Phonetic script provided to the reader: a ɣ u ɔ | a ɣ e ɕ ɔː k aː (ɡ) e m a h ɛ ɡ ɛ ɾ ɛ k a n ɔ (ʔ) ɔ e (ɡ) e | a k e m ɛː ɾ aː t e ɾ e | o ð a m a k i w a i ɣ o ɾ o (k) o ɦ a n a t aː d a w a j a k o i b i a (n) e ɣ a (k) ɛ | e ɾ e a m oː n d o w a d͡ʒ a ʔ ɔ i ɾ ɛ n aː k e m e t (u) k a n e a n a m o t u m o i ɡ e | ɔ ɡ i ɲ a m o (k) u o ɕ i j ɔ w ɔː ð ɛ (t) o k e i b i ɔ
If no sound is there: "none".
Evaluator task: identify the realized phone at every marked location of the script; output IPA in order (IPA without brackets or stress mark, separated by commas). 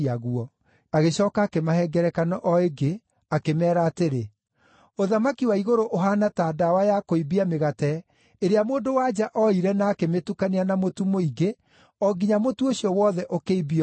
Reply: k, ʔ, ɡ, ʔ, m, t, u, t, ʔ